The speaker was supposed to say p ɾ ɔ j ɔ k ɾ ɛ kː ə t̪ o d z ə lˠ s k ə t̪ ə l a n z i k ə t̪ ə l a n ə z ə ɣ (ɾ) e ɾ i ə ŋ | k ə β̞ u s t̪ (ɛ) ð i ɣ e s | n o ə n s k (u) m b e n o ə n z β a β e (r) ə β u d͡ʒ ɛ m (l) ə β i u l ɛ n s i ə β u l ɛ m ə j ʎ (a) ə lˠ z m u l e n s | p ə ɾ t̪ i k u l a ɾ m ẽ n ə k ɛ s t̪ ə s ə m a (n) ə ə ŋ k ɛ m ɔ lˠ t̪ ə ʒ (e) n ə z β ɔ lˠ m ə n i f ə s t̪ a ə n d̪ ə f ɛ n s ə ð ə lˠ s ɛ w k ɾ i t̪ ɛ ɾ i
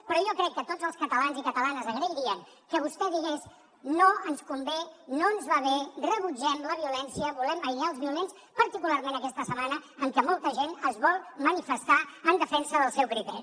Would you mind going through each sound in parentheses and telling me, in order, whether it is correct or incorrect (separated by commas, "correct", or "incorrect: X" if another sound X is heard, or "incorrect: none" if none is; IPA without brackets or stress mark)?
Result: correct, correct, correct, correct, correct, correct, correct, correct